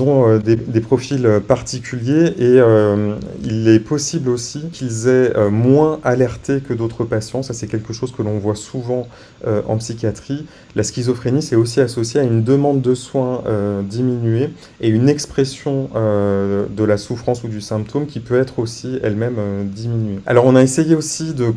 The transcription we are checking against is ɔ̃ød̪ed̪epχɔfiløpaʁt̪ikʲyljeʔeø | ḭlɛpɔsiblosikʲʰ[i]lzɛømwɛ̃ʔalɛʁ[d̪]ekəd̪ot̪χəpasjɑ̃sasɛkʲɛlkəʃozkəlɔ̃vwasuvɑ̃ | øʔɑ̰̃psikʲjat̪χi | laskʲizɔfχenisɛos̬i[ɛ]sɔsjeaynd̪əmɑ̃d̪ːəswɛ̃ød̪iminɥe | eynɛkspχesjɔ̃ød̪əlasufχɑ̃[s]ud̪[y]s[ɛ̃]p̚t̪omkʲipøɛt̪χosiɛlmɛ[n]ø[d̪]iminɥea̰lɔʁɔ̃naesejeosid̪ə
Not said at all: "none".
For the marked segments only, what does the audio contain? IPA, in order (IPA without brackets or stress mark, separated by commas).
i, t̪, a, s, y, ɛ̃, m, d̪